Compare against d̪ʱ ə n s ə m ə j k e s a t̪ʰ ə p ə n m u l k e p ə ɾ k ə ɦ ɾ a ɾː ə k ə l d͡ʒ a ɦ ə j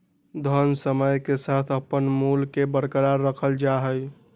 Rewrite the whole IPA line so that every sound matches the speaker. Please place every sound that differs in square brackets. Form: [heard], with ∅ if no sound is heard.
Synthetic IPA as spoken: d̪ʱ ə n s ə m ə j k e s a t̪ʰ ə p ə n m u l k e [b] ə ɾ k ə [∅] ɾ a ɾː ə [kʰ] ə l d͡ʒ a ɦ ə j